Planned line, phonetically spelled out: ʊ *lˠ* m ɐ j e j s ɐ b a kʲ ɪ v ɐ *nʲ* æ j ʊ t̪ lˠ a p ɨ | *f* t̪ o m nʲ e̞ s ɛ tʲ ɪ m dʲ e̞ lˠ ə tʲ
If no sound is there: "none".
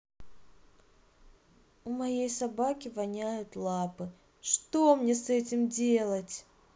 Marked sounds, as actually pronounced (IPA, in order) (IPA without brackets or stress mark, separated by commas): none, nʲ, ʂ